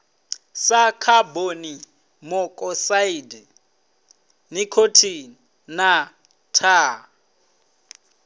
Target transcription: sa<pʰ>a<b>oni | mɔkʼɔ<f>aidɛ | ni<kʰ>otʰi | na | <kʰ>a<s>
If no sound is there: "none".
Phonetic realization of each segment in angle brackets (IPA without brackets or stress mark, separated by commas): kʰ, b, s, kʰ, tʰ, none